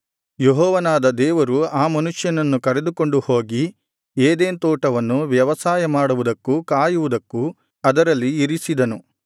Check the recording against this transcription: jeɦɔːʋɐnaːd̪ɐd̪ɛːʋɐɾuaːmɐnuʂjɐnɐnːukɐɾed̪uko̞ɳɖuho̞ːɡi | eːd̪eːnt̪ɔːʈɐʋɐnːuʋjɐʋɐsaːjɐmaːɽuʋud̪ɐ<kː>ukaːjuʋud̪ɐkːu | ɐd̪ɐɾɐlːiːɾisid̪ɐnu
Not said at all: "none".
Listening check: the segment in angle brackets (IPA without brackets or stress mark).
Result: kː